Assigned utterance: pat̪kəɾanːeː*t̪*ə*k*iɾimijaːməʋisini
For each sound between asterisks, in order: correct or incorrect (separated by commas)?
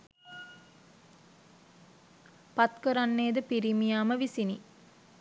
incorrect, incorrect